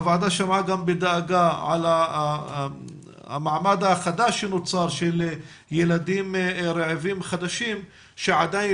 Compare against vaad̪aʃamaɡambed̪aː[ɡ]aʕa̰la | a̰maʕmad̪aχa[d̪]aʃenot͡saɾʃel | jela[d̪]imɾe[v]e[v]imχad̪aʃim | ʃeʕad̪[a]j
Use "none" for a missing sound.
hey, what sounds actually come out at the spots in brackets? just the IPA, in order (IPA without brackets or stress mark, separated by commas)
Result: ɡ, d̪, d̪, ʕ, v, a